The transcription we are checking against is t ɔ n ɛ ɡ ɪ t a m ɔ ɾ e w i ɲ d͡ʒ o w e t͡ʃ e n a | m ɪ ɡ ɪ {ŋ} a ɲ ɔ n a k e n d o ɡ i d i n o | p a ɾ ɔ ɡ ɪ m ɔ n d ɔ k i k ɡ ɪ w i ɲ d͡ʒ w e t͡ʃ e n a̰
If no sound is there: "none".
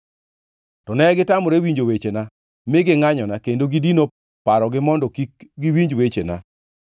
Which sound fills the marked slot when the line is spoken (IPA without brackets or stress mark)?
ŋ